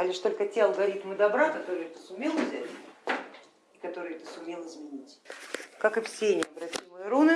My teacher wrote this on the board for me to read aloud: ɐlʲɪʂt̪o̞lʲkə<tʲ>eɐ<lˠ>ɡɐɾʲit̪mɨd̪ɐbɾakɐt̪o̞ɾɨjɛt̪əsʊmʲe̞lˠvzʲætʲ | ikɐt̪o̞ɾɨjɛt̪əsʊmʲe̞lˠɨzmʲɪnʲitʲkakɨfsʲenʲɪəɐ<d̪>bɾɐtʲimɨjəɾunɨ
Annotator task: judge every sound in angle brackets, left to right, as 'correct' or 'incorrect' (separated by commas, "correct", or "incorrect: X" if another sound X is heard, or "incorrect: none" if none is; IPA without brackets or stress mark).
correct, correct, incorrect: none